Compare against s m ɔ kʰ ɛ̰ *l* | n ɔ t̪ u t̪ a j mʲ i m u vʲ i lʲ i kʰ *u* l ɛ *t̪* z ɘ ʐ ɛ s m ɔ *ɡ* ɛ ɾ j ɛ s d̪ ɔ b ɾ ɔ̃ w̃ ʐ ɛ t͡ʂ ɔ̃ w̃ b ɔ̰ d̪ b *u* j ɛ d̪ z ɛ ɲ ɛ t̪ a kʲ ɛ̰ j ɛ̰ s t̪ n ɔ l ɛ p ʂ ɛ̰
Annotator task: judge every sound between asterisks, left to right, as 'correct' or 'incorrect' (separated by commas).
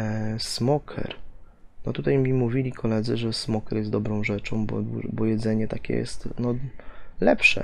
incorrect, incorrect, incorrect, incorrect, incorrect